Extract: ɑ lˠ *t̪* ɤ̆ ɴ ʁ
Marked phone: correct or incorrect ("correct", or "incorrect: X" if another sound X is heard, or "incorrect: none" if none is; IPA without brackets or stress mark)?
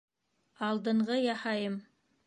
incorrect: d̪